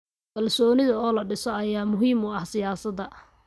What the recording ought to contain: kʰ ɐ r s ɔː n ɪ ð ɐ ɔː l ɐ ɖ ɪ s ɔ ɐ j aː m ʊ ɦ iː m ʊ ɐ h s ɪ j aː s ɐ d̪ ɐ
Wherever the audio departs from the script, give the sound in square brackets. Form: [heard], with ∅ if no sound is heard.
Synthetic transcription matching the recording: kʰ ɐ [l] s ɔː n ɪ ð ɐ ɔː l ɐ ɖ ɪ s ɔ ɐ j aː m ʊ ɦ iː m ʊ ɐ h s ɪ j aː s ɐ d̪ ɐ